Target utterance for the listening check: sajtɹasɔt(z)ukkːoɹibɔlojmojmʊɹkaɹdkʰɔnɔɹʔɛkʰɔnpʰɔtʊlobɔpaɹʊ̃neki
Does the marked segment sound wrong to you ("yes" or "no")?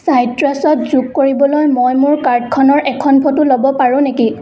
no